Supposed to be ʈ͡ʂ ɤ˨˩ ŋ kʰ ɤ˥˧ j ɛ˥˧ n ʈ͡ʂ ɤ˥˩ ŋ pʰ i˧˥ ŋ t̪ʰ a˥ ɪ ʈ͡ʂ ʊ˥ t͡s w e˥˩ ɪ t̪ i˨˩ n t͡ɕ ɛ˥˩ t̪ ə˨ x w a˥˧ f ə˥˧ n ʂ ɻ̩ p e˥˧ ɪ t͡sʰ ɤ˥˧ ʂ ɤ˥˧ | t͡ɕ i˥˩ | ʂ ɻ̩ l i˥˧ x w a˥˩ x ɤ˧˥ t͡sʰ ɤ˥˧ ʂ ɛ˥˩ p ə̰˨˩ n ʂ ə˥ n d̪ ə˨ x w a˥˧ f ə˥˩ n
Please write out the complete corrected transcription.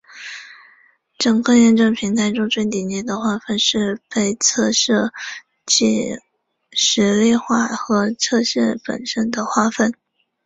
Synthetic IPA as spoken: ʈ͡ʂ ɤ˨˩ ŋ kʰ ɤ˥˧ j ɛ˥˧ n ʈ͡ʂ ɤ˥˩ ŋ pʰ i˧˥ ŋ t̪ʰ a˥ ɪ ʈ͡ʂ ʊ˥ t͡s w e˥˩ ɪ t̪ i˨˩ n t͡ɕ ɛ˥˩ d̪ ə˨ x w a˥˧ f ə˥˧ n ʂ ɻ̩ p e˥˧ ɪ t͡sʰ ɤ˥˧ ʂ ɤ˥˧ | t͡ɕ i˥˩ | ʂ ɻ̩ l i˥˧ x w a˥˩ x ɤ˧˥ t͡sʰ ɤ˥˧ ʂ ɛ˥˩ p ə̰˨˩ n ʂ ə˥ n d̪ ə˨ x w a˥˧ f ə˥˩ n